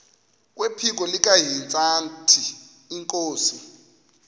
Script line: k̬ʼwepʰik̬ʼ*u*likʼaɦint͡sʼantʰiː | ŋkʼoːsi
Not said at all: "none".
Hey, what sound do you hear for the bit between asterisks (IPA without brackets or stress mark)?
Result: ɔ